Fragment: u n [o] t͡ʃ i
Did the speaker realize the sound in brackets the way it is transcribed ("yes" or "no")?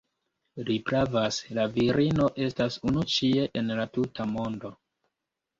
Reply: no